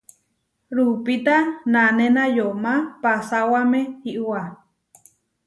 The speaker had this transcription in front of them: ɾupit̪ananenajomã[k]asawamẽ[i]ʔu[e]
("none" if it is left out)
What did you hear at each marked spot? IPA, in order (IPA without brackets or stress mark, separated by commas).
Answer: p, i, a